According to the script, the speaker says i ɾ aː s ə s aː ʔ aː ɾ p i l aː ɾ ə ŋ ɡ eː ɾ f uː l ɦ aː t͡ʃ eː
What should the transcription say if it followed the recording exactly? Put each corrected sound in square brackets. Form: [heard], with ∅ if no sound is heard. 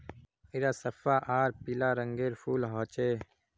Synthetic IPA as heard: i ɾ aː s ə [f] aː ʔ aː ɾ p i l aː ɾ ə ŋ ɡ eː ɾ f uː l ɦ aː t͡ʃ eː